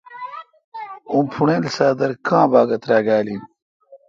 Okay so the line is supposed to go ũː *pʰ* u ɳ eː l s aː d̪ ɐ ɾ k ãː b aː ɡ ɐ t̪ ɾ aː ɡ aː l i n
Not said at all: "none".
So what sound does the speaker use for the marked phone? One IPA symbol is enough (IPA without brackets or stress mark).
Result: pʰ